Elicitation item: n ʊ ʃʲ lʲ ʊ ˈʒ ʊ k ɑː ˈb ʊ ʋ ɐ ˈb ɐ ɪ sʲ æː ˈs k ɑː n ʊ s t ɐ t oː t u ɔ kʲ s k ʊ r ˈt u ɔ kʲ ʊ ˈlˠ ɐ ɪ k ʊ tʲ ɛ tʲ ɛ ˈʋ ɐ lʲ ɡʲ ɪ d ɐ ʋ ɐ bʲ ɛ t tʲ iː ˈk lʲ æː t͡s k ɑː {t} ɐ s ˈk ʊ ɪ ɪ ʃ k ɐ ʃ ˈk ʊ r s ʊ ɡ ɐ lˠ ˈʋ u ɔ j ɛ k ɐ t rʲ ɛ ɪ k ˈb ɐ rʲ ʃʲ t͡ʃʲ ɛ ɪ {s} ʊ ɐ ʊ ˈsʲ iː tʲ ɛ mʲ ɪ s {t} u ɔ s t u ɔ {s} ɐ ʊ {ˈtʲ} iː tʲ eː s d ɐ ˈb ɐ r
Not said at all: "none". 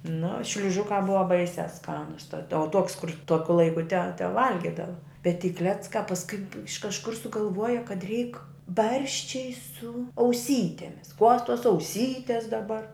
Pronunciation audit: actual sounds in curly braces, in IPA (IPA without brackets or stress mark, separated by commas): p, s, k, s, sʲ